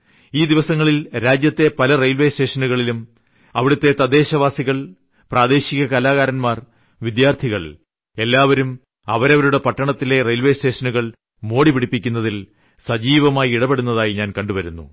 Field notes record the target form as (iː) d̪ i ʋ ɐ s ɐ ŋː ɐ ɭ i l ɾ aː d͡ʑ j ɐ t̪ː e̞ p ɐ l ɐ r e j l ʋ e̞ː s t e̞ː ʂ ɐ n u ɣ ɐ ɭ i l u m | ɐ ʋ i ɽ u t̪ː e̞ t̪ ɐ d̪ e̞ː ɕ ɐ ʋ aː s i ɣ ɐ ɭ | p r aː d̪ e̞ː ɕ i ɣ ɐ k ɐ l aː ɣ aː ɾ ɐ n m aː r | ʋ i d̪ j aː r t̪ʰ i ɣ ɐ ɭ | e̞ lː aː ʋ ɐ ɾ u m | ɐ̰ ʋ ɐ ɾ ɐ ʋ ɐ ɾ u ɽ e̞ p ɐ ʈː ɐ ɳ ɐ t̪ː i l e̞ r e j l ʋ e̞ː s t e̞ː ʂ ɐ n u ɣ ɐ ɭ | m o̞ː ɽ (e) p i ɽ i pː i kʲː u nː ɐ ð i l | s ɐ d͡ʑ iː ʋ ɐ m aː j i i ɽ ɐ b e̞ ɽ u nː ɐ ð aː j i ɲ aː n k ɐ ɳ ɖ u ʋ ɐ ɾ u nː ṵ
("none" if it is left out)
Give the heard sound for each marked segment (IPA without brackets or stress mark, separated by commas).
iː, i